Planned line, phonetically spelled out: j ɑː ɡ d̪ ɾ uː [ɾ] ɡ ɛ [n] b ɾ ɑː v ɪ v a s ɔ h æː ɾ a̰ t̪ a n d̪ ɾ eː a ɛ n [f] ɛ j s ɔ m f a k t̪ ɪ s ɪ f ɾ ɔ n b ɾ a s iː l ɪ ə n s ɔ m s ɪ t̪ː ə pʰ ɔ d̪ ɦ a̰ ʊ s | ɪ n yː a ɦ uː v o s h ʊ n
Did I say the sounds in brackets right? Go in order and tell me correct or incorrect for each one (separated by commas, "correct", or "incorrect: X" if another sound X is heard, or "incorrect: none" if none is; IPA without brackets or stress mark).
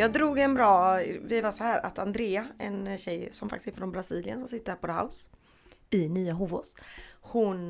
incorrect: none, correct, incorrect: ɕ